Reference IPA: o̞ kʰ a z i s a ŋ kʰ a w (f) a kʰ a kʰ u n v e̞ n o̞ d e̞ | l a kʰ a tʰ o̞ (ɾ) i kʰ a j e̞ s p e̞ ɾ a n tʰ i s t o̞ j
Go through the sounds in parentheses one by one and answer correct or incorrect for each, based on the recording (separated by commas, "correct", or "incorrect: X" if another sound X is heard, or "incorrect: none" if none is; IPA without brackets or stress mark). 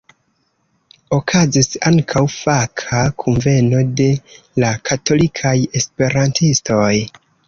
correct, incorrect: l